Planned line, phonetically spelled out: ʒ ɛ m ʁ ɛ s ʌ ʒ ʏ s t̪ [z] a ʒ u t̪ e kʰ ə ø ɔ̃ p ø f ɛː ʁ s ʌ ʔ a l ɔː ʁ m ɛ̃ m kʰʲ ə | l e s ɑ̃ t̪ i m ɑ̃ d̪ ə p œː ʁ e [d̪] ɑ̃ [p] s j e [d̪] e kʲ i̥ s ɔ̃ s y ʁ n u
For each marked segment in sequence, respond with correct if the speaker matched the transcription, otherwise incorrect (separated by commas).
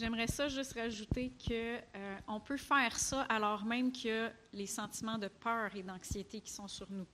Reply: incorrect, correct, incorrect, incorrect